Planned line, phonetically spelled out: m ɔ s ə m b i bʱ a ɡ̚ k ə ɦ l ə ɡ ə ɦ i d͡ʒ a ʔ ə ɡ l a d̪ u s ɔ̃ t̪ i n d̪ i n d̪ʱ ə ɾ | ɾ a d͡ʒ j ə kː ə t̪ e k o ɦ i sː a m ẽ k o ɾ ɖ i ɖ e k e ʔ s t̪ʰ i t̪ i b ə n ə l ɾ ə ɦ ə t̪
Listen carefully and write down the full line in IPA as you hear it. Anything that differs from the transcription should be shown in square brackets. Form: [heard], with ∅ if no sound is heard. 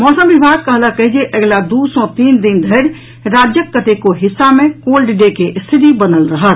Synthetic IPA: m ɔ s ə m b i bʱ a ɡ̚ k ə ɦ l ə [k] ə ɦ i d͡ʒ [e] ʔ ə ɡ l a d̪ u s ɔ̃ t̪ i n d̪ i n d̪ʱ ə ɾ | ɾ a d͡ʒ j ə kː ə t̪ e k o ɦ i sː a m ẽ k o [l] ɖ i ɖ e k e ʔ s t̪ʰ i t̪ i b ə n ə l ɾ ə ɦ ə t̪

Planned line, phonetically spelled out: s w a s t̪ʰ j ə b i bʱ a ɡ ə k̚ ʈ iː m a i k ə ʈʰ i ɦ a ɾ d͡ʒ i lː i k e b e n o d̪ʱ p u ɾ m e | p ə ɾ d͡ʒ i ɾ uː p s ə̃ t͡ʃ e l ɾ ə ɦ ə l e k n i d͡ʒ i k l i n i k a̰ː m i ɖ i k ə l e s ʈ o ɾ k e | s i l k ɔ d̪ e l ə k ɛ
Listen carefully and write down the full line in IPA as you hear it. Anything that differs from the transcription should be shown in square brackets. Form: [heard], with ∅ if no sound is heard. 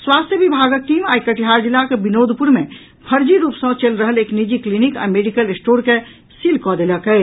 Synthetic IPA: s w a s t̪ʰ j ə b i bʱ a ɡ ə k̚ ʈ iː m a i k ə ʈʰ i ɦ a ɾ d͡ʒ i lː [a] k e b [i] n o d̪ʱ p u ɾ m e | [pʰ] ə ɾ d͡ʒ i ɾ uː p s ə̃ t͡ʃ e l ɾ ə ɦ ə l e k n i d͡ʒ i k l i n i k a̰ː m [e] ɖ i k ə l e s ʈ o ɾ k e | s i l k ɔ d̪ e l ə k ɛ

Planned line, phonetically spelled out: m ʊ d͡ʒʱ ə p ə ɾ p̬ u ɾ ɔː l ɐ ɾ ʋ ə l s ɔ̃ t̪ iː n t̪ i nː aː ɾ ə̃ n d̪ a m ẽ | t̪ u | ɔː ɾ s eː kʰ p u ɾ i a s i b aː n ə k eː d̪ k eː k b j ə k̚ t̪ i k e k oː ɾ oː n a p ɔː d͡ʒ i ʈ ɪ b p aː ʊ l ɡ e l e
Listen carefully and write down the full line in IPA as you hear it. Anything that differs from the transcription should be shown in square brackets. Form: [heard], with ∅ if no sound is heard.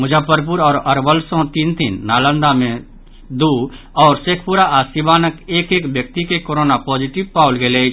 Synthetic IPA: m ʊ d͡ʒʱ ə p ə ɾ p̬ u ɾ ɔː [ɾ] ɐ ɾ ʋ ə l s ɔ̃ t̪ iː n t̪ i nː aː [l] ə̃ n d̪ a m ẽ | [d̪] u | ɔː ɾ s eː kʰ p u ɾ [a] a s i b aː n ə k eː [∅] k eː k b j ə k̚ t̪ i k e k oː ɾ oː n a p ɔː d͡ʒ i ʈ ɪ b p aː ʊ l ɡ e l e

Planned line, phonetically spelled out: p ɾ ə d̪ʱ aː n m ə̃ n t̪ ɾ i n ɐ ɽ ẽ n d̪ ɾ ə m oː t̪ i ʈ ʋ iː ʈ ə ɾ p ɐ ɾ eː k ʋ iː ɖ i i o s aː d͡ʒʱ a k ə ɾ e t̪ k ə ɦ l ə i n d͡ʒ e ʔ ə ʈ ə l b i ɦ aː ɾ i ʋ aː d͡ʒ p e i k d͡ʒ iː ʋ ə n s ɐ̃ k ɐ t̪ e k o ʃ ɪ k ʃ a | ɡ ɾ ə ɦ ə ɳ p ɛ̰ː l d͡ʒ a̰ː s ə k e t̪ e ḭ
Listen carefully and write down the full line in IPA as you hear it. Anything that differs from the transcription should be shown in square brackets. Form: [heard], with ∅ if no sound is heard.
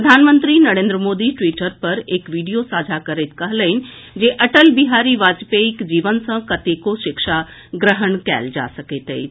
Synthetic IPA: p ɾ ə d̪ʱ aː n m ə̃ n t̪ ɾ i n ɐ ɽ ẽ n d̪ ɾ ə m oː [d̪] i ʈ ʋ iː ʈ ə ɾ p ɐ ɾ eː k ʋ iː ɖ i [j] o s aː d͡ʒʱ a k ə ɾ e t̪ k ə ɦ l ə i n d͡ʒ e ʔ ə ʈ ə l b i ɦ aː ɾ i ʋ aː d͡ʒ p e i k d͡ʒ iː ʋ ə n s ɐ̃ k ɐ t̪ e k o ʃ ɪ k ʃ a | ɡ ɾ ə ɦ ə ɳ [k] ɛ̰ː l d͡ʒ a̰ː s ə k e t̪ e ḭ

